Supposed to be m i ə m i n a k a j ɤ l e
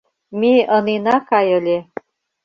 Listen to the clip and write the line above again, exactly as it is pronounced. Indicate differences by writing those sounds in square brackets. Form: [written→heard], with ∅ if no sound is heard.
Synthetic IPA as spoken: m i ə [m→n] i n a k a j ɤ l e